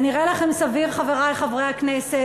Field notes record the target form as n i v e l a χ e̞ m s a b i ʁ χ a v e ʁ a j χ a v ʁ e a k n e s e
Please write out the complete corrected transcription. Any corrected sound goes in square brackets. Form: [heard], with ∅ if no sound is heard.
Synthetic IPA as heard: n i [ʁ] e l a χ e̞ m s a [v] i ʁ χ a v e ʁ a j χ a v ʁ e a k n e s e